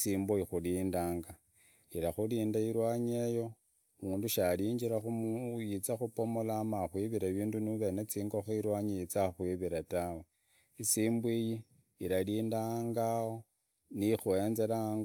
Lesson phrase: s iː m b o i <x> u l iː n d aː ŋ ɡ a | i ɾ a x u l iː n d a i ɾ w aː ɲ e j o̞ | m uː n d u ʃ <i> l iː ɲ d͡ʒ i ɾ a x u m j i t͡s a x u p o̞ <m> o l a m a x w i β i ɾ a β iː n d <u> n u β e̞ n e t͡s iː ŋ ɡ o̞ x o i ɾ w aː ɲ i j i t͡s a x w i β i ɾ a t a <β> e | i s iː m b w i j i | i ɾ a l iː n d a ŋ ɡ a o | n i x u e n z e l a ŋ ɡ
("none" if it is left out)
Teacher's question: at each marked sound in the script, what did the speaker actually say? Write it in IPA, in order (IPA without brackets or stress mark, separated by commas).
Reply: x, a, m, u, w